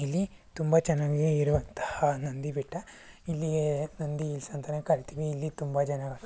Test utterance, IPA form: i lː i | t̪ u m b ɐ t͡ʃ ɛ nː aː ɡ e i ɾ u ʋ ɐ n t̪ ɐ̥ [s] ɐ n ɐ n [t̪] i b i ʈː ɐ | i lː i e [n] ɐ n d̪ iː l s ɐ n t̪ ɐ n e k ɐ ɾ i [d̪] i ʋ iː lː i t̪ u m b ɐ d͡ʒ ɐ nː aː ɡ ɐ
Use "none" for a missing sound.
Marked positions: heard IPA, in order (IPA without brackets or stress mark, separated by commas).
h, d̪, n, t̪